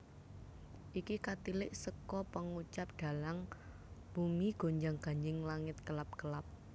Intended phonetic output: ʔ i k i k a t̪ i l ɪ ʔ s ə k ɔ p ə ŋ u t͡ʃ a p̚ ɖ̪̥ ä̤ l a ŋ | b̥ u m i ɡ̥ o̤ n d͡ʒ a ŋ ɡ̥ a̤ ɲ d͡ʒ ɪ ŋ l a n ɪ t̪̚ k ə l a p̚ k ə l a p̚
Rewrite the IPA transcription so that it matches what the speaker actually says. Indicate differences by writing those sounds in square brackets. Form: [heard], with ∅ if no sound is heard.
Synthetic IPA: ʔ i k i k a t̪ i l ɪ ʔ s ə k ɔ p ə ŋ u t͡ʃ a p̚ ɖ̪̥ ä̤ l a ŋ | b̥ u m i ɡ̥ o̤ [ɲ] d͡ʒ a ŋ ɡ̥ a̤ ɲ d͡ʒ ɪ ŋ l a [ŋ] ɪ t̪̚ k ə l a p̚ k ə l a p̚

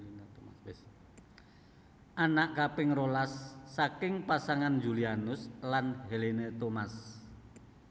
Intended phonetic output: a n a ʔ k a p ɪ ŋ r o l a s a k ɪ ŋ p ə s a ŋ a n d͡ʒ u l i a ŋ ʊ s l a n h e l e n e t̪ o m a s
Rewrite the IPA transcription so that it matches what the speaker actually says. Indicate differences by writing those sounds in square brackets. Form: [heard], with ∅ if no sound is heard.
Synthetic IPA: a n a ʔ k a p ɪ ŋ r o l a [sː] a k ɪ ŋ p [a] s a ŋ a n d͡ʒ u l i a [n] ʊ s l a n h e l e n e t̪ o m a s

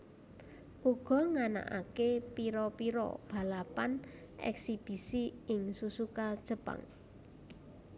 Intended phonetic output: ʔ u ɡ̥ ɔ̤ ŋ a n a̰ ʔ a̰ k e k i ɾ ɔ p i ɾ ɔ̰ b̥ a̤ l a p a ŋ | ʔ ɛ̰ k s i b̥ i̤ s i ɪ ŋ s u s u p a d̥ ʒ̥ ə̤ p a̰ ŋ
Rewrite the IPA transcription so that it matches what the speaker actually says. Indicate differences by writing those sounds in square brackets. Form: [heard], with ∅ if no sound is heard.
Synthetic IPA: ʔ u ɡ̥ ɔ̤ ŋ a n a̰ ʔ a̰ k e [p] i ɾ ɔ p i ɾ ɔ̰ b̥ a̤ l a p a [n] | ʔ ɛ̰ k s i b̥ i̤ s i ɪ ŋ s u s u [k] a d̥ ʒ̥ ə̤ p a̰ ŋ

